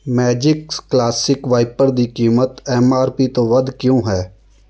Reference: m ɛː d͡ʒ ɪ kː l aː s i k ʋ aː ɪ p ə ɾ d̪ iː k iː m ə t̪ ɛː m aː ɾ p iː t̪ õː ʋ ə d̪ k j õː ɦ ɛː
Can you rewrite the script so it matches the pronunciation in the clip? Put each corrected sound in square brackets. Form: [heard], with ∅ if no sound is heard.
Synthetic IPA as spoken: m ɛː d͡ʒ ɪ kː l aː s [ɪ] k ʋ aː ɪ p ə ɾ d̪ iː k iː m ə t̪ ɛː m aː ɾ p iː t̪ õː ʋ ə d̪ k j õː ɦ ɛː